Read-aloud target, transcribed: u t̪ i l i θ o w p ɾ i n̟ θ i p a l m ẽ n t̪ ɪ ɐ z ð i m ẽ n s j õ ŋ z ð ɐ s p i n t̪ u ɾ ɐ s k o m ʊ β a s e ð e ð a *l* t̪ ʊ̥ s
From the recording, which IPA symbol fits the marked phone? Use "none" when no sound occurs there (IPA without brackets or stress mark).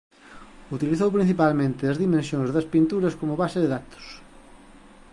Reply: none